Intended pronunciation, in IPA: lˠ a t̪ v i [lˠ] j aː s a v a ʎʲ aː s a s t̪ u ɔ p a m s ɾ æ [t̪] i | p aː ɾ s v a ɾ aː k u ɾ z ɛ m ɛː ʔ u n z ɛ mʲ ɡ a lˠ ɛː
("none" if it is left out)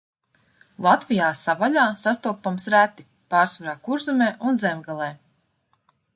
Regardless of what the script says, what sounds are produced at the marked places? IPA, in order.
none, t̪

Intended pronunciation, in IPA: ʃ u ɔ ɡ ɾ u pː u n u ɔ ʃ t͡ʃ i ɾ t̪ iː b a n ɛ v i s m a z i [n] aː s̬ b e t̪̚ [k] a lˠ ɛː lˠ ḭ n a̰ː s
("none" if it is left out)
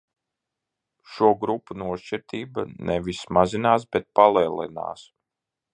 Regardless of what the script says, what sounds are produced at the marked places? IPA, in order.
n, p

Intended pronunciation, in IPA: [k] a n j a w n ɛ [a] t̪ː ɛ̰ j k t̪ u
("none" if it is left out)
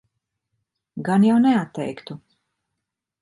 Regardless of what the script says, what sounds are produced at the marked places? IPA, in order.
ɡ, a

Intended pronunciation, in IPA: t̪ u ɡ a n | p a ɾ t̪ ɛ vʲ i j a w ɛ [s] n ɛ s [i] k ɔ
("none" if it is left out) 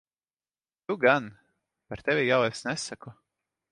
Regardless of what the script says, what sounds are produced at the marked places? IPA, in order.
s, a

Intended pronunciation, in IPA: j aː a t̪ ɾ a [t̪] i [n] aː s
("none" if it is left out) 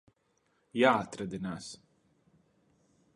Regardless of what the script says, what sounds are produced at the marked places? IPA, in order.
d̪, n

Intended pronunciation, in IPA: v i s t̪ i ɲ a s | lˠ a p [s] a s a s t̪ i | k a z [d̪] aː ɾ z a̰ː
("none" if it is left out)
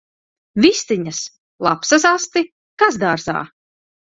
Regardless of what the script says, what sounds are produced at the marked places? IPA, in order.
s, d̪

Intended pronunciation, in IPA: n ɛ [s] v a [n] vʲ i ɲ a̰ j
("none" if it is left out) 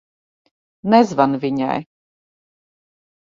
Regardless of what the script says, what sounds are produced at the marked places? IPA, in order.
z, n

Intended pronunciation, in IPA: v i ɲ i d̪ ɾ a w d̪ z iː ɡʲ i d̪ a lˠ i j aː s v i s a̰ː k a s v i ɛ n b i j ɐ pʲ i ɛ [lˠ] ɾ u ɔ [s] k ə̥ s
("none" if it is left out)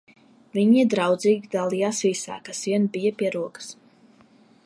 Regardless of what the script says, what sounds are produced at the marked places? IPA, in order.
none, none

